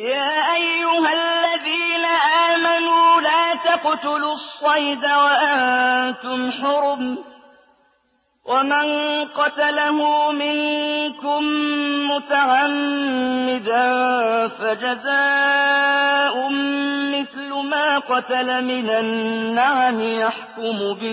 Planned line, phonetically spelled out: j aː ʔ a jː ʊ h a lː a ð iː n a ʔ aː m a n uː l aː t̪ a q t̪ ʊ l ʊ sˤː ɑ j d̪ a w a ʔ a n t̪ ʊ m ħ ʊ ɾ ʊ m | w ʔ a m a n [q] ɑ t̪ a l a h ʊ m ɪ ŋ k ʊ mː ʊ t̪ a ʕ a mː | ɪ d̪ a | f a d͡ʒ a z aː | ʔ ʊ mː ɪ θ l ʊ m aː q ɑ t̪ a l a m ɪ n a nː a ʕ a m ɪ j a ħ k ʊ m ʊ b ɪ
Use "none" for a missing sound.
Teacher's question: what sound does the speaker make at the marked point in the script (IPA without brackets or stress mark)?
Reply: q